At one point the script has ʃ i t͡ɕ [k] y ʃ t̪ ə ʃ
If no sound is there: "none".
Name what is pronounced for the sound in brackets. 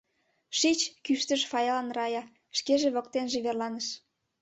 k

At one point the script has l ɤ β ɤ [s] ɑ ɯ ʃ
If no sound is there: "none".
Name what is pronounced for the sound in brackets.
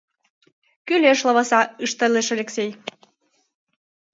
s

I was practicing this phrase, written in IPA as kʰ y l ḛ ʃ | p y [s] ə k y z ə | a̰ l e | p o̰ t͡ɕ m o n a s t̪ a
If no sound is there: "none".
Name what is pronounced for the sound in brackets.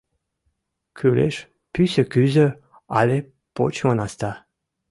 s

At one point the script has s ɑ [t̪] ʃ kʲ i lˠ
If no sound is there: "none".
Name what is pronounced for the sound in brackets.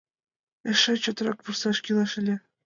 none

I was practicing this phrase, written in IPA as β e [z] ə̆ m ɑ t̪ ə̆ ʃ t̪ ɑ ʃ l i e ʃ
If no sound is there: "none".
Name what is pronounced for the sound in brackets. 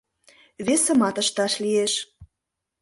s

